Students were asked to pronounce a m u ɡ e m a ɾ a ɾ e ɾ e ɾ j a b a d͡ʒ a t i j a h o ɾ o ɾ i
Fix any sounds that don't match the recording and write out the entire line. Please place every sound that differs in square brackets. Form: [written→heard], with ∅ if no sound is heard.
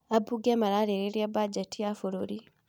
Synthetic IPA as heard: a [m→b] u ɡ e m a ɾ a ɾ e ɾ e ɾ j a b a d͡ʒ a t i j a [h→f] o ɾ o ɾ i